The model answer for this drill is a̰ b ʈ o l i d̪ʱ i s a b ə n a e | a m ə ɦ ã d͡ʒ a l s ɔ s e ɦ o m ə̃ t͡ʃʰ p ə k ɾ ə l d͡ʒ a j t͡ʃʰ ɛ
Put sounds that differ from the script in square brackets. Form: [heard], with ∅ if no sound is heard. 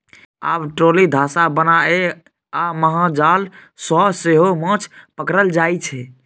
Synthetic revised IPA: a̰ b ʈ o l i d̪ʱ [a] s a b ə n a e | a m ə ɦ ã d͡ʒ a l s ɔ s e ɦ o m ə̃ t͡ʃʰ p ə k ɾ ə l d͡ʒ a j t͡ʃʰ ɛ

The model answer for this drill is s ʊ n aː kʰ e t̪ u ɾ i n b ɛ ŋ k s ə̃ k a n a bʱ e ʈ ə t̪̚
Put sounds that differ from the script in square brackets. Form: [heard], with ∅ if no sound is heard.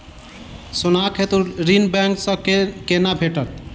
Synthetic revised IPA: s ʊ n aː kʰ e t̪ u ɾ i n b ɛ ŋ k s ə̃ k [e] n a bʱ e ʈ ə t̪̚

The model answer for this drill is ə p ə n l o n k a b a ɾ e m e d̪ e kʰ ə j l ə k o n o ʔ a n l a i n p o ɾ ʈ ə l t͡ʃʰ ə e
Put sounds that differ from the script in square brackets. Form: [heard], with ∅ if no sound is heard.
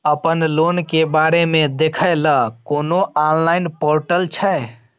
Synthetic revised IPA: ə p ə n l o n k [e] b a ɾ e m e d̪ e kʰ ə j l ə k o n o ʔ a n l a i n p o ɾ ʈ ə l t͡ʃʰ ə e

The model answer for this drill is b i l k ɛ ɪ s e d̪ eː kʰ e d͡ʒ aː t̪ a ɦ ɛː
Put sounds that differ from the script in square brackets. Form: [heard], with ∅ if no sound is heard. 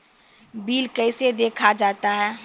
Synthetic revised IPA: b [iː] l k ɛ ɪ s e d̪ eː kʰ [a] d͡ʒ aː t̪ a ɦ ɛː

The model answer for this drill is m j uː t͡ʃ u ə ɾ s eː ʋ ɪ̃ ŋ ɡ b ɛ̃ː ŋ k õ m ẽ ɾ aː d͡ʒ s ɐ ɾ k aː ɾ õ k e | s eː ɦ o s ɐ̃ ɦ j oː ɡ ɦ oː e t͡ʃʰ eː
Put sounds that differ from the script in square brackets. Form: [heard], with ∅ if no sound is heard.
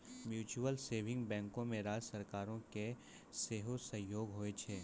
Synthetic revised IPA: m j uː t͡ʃ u ə [l] s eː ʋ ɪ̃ ŋ ɡ b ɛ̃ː ŋ k õ m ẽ ɾ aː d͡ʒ s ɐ ɾ k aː ɾ õ k e | s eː ɦ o s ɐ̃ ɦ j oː ɡ ɦ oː e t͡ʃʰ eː

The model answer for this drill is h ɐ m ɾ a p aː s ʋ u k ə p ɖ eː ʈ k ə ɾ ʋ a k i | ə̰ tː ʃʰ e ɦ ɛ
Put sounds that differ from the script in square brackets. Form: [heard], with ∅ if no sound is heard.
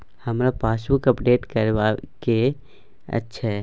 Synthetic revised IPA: h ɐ m ɾ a p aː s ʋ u k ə p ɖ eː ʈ k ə ɾ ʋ a k [e] | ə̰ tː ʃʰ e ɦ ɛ

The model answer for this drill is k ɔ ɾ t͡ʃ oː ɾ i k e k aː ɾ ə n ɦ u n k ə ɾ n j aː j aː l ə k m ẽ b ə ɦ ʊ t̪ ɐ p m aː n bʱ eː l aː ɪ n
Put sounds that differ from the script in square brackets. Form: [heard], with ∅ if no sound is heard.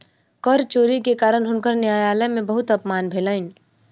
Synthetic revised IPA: k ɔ ɾ t͡ʃ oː ɾ i k e k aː ɾ ə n ɦ [ʊ] n k ə ɾ n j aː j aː l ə [∅] m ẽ b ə ɦ ʊ t̪ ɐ p m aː n bʱ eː l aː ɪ n

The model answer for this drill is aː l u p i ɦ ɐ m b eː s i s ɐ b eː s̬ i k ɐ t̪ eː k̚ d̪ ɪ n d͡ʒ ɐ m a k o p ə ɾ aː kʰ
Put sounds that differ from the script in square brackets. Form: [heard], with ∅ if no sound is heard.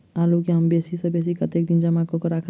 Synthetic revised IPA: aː l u [k] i ɦ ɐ m b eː s i s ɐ b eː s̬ i k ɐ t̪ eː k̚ d̪ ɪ n d͡ʒ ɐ m a k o [k] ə ɾ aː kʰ

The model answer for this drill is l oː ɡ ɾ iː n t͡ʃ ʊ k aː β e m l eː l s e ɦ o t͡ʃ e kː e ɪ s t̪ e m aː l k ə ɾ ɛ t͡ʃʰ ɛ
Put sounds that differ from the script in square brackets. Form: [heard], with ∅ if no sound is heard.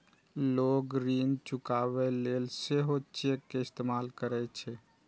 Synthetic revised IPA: l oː ɡ ɾ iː n t͡ʃ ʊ k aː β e [∅] l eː l s e ɦ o t͡ʃ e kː e ɪ s t̪ e m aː l k ə ɾ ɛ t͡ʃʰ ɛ

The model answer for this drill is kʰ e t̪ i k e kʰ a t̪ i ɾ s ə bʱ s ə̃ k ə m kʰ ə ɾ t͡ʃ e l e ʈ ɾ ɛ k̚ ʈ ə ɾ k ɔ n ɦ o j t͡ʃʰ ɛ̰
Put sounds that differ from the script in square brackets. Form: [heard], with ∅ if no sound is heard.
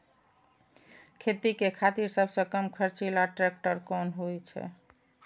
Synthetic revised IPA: kʰ e t̪ i k e kʰ a t̪ i ɾ s ə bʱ s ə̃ k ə m kʰ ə ɾ t͡ʃ [i] l [a] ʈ ɾ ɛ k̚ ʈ ə ɾ k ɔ n ɦ o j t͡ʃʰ ɛ̰

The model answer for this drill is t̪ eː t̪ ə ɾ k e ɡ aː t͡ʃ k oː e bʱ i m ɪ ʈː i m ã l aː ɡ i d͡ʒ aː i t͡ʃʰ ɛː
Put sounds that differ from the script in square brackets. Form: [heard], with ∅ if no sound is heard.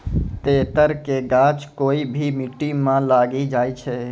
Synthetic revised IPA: t̪ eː t̪ ə ɾ k e ɡ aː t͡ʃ k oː [i] bʱ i m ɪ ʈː i m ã l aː ɡ i d͡ʒ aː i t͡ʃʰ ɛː

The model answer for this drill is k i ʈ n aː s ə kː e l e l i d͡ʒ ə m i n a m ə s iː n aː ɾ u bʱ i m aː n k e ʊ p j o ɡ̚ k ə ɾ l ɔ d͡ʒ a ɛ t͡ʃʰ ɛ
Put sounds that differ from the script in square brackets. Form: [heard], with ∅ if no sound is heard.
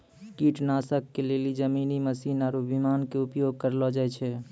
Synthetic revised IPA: k i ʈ n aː s ə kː e l e l i d͡ʒ ə m i n [i] m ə s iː n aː ɾ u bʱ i m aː n k e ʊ p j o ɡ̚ k ə ɾ l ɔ d͡ʒ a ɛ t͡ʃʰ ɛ

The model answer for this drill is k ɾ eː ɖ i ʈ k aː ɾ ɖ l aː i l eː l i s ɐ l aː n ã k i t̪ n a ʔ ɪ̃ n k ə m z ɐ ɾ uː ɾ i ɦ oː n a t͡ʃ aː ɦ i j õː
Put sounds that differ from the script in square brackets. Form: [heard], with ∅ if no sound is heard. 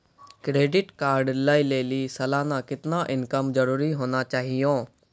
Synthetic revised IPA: k ɾ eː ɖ [ɪ] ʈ k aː ɾ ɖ l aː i l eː l i s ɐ l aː n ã k [ɪ] t̪ n a ʔ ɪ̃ n k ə m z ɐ ɾ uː ɾ i ɦ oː n a t͡ʃ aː ɦ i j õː

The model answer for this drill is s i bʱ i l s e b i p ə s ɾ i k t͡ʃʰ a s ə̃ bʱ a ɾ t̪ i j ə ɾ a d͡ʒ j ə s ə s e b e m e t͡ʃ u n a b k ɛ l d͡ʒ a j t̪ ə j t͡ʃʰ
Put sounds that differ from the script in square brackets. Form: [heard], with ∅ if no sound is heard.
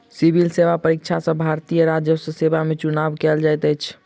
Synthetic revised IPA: s i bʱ i l s e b [a] p ə [∅] ɾ i k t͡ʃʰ a s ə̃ bʱ a ɾ t̪ i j ə ɾ a d͡ʒ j ə s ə s e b [a] m e t͡ʃ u n a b k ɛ l d͡ʒ a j t̪ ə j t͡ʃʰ

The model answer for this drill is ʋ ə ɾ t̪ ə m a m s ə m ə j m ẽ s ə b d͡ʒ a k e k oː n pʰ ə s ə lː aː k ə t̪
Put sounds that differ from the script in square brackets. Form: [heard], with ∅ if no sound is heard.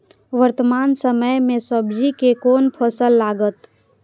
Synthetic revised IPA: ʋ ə ɾ t̪ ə m a [n] s ə m ə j m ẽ s ə b d͡ʒ [i] k e k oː n pʰ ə s ə lː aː [ɡ] ə t̪

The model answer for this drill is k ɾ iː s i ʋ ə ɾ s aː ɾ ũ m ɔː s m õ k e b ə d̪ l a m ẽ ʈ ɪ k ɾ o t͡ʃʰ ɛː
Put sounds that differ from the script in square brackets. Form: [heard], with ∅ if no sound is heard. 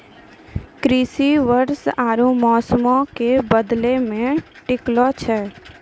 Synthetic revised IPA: k ɾ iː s i ʋ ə ɾ s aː ɾ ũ m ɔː s m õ k e b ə d̪ l [e] m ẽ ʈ ɪ k [l] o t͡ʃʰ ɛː

